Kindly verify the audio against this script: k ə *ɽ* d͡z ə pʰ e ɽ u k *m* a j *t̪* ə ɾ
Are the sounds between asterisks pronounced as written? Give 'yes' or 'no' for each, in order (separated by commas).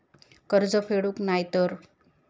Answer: no, no, yes